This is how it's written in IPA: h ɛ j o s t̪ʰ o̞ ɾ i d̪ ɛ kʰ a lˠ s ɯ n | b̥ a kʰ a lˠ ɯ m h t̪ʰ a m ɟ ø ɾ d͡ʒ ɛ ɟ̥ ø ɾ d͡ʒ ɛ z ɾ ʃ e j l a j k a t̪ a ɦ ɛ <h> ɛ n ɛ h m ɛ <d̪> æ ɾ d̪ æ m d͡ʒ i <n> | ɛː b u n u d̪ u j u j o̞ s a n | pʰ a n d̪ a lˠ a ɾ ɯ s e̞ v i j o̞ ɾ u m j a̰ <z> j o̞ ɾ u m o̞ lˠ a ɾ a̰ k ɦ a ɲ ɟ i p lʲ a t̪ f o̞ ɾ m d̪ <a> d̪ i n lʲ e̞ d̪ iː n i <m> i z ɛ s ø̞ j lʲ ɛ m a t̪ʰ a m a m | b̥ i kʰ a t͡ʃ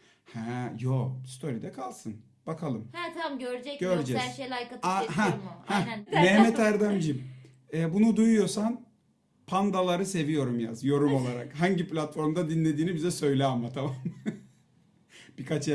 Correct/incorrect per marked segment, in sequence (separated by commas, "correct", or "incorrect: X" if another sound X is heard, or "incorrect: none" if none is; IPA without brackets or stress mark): correct, incorrect: t̪, incorrect: m, correct, correct, incorrect: b